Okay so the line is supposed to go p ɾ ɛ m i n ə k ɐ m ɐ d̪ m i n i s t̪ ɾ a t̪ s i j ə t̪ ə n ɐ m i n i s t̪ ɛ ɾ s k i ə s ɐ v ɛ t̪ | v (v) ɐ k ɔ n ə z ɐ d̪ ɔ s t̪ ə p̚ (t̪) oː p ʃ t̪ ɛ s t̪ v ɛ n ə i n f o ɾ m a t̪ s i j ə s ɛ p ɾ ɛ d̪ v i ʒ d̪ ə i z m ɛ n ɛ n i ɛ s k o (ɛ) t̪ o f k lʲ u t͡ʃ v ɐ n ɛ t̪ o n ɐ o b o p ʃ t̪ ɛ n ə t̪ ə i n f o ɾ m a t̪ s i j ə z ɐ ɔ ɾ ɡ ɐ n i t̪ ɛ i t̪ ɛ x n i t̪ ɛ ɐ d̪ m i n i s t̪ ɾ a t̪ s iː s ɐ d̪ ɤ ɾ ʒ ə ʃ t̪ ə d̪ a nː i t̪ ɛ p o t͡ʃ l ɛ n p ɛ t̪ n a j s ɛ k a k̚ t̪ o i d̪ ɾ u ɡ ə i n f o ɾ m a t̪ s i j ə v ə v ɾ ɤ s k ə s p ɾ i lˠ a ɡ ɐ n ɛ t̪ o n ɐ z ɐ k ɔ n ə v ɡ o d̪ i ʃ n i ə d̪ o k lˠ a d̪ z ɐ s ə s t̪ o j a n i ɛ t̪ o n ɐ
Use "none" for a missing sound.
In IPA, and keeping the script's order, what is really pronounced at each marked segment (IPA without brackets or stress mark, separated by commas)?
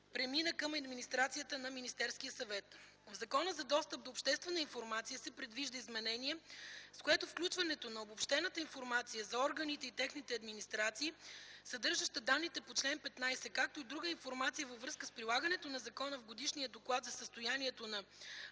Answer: z, d̪, ɛ